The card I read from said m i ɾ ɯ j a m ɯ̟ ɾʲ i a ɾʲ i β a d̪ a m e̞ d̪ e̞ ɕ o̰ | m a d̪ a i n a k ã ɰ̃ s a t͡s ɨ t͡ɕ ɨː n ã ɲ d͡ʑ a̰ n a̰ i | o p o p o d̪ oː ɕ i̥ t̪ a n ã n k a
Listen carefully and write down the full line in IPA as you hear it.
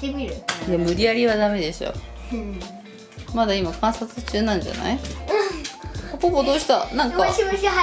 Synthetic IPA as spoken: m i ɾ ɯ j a m ɯ̟ ɾʲ i a ɾʲ i β a d̪ a m e̞ d̪ e̞ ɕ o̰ | m a d̪ a i m a k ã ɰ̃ s a t͡s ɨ t͡ɕ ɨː n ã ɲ d͡ʑ a̰ n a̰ i | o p o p o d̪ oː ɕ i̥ t̪ a n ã ŋ k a